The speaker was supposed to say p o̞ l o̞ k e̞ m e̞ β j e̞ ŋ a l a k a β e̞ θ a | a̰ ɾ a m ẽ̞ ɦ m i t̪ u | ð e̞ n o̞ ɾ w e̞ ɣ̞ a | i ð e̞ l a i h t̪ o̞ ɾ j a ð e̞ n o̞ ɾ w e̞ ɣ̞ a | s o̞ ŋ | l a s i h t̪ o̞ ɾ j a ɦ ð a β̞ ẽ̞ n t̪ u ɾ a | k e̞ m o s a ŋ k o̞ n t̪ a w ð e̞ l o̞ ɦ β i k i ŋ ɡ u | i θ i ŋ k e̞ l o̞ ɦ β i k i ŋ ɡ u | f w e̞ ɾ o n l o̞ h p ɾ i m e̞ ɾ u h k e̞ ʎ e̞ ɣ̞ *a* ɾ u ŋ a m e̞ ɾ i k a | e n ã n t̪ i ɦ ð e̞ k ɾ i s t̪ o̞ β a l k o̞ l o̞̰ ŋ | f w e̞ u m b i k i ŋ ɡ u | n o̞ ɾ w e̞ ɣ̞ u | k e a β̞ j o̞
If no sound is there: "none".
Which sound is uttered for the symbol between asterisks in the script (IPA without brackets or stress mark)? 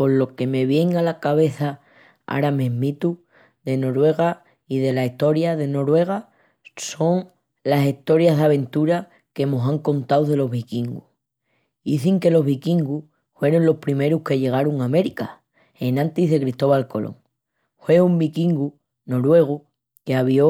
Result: a